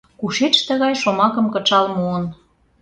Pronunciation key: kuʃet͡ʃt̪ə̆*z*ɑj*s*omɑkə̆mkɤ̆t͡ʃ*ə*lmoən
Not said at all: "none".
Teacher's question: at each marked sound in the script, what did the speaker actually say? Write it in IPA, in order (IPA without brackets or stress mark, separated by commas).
ɣ, ʃ, ɑ